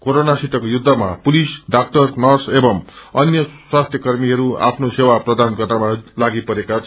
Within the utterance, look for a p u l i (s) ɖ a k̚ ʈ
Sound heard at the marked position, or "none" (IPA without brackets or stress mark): s